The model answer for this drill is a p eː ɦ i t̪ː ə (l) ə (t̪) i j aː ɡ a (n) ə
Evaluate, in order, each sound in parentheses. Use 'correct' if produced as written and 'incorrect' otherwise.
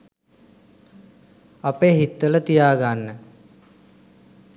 correct, correct, incorrect: nː

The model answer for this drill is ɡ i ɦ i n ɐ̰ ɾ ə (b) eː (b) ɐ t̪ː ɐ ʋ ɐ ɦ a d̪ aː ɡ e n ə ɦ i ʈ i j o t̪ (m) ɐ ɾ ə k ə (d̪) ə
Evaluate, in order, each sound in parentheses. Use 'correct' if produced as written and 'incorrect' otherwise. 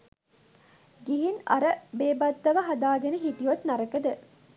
correct, correct, incorrect: n, correct

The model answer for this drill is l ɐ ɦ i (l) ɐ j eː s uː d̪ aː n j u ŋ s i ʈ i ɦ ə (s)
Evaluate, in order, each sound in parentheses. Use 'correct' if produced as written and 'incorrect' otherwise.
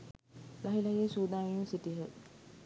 correct, incorrect: none

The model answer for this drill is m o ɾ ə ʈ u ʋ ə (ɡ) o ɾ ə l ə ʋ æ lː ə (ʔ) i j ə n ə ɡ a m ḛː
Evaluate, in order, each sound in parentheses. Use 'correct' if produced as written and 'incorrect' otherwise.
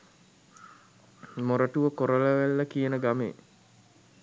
incorrect: k, incorrect: k

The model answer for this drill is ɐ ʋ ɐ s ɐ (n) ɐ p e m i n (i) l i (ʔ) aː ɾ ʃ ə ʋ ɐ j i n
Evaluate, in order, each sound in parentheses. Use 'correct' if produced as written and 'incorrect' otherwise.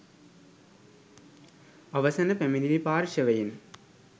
correct, correct, incorrect: p

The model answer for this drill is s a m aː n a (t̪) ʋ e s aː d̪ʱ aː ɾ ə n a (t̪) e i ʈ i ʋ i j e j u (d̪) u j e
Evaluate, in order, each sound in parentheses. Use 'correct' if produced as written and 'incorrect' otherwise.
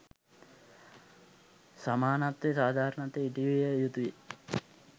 correct, correct, incorrect: t̪

